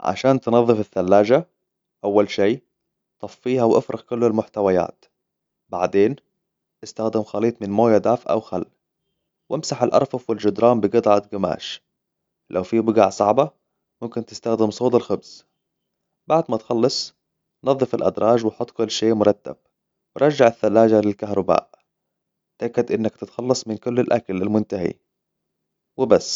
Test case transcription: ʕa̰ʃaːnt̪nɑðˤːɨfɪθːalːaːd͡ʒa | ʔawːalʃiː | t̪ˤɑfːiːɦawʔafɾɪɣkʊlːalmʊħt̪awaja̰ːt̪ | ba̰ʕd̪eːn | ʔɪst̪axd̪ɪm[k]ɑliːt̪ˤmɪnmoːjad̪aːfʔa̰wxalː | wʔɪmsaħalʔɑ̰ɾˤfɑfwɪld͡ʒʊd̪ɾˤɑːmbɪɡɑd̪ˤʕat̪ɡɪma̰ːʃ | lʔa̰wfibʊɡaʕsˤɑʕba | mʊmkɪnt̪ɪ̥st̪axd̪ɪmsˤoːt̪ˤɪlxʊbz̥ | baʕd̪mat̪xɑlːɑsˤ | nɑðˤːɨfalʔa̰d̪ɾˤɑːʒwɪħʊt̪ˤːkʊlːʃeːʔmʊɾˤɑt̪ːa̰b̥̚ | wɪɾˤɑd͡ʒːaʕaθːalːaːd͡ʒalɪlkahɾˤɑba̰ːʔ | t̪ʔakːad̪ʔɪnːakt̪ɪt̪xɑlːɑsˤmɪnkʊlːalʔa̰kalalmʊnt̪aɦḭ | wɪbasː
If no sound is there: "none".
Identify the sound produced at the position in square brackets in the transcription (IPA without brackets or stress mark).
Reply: x